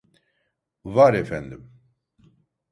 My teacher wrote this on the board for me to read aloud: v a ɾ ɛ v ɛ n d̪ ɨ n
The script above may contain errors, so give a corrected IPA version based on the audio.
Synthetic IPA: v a ɾ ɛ f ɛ n d̪ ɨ m